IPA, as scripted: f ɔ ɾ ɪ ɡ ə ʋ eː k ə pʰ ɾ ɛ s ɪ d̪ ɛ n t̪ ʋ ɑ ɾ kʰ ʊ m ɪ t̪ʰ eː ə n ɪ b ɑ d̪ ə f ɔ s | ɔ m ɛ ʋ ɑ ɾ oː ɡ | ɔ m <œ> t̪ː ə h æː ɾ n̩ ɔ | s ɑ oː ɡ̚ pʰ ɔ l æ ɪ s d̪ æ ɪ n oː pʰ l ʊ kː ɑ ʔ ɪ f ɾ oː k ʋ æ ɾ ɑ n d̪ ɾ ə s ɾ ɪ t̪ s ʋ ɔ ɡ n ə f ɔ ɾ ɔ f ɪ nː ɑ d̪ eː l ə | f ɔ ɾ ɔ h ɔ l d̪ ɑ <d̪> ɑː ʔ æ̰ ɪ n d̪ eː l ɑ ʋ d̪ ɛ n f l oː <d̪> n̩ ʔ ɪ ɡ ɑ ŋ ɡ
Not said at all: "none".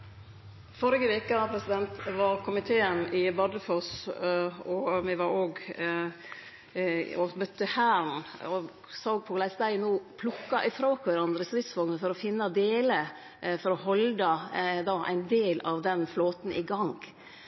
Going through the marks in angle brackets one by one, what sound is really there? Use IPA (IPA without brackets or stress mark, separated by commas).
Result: œ, d̪, t̪